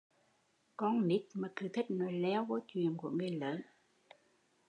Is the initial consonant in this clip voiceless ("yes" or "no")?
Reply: yes